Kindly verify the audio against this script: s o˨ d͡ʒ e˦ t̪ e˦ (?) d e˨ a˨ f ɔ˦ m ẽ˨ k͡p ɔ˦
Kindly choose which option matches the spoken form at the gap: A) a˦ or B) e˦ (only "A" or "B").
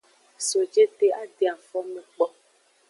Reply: A